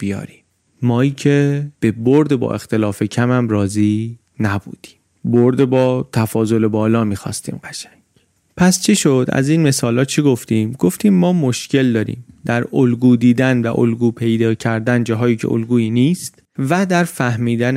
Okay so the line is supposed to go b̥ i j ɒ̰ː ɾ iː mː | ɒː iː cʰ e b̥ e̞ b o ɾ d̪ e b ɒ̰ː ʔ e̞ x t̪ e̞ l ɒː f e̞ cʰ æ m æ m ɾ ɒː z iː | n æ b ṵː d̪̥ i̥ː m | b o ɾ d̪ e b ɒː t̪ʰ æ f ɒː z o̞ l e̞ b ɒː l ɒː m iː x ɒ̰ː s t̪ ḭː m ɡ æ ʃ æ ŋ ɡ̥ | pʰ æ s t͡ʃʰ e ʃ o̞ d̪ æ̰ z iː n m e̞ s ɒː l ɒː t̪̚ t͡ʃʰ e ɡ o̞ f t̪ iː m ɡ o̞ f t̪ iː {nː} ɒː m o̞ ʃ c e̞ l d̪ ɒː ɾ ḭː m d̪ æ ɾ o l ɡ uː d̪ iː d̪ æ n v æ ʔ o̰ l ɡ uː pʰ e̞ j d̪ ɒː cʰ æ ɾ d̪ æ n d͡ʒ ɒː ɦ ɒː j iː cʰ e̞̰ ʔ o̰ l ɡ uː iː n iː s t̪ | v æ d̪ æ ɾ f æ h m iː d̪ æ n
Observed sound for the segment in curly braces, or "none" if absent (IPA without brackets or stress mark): mː